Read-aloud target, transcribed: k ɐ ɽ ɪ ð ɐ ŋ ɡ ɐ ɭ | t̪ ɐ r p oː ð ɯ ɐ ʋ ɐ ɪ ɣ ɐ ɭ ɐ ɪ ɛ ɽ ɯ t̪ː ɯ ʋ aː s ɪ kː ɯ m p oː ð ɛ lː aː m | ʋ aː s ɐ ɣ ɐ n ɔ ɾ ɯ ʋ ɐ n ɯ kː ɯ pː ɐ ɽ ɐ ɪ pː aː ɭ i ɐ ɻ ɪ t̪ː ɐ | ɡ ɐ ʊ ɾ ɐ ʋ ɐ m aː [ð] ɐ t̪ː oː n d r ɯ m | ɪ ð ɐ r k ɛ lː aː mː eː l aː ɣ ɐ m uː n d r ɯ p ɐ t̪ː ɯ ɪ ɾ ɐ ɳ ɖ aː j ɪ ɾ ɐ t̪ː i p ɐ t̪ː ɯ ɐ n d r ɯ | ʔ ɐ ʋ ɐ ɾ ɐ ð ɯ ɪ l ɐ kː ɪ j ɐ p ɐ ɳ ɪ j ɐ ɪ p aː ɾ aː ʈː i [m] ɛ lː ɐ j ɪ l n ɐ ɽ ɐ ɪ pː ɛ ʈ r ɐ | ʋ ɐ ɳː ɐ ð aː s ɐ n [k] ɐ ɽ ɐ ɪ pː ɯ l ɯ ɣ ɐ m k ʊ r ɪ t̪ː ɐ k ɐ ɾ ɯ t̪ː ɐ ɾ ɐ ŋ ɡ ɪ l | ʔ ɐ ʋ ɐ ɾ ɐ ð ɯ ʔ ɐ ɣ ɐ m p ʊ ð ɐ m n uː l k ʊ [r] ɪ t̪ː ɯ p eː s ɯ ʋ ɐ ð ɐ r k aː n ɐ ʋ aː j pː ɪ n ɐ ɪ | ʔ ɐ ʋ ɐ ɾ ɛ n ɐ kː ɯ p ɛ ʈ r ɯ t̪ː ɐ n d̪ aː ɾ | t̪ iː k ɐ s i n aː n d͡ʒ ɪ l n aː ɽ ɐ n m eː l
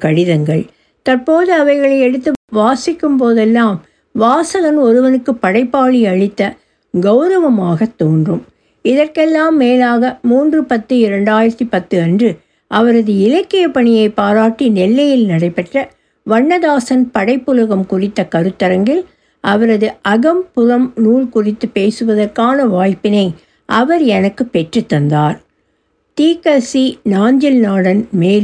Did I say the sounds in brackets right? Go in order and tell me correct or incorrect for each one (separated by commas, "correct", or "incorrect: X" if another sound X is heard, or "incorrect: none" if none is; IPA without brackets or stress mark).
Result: incorrect: ɣ, incorrect: n, incorrect: p, correct